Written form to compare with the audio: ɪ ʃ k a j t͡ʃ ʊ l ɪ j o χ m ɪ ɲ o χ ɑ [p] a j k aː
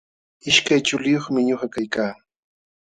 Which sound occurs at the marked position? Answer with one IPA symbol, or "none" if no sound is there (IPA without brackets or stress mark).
k